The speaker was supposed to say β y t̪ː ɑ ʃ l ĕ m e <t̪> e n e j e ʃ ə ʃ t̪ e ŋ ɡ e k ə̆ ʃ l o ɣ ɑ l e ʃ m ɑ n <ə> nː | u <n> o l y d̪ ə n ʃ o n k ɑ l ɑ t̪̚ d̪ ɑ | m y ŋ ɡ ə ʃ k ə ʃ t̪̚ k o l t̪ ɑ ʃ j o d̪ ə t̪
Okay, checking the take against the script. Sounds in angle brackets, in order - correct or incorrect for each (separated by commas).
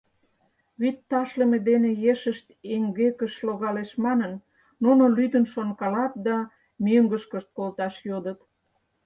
incorrect, correct, correct